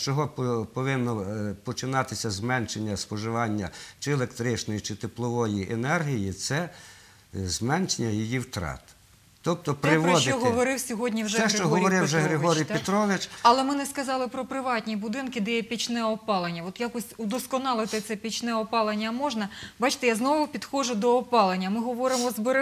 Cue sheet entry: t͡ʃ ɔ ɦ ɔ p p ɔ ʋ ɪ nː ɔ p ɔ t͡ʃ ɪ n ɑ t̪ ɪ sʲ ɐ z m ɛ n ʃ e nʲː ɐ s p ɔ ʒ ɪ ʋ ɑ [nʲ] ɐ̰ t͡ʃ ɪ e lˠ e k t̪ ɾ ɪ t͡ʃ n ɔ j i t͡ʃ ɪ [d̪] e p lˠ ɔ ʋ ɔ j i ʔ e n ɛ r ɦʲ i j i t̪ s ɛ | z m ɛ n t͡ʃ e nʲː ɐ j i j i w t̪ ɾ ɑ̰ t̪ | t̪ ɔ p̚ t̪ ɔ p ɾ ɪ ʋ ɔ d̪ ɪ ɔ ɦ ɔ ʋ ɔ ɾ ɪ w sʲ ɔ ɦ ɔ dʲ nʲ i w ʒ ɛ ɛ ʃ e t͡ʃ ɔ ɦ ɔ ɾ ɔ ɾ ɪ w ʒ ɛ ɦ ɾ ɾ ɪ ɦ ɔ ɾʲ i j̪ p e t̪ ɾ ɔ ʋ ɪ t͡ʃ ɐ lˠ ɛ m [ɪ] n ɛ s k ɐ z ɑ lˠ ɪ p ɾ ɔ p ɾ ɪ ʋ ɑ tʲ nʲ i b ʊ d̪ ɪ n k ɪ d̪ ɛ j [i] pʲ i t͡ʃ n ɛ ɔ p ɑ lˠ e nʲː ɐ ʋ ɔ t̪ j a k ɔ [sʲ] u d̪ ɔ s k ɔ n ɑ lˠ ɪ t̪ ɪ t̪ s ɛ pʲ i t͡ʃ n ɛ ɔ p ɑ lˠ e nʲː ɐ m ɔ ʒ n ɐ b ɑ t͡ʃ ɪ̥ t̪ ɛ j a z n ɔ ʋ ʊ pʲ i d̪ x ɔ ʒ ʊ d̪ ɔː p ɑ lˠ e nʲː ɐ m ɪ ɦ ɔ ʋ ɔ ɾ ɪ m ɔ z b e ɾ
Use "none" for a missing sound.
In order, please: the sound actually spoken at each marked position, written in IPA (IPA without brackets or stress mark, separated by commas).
nʲː, t̪, ɪ, ɛ, sʲ